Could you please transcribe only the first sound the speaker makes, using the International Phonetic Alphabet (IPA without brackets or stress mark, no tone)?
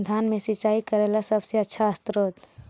d̪ʱ